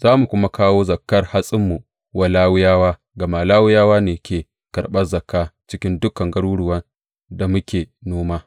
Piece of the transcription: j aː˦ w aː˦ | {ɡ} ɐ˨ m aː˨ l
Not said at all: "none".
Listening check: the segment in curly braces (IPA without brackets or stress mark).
ɡ